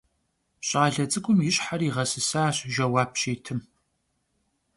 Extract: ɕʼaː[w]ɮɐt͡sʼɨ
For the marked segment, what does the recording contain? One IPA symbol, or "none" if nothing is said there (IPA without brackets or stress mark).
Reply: none